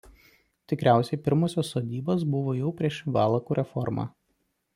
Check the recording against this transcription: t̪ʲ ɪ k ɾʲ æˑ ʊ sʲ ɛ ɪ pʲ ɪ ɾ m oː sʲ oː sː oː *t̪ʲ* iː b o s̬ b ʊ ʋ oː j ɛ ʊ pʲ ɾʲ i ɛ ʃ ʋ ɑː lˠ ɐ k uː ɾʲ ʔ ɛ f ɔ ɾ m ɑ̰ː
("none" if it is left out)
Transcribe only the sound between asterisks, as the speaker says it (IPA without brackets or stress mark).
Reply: d̪ʲ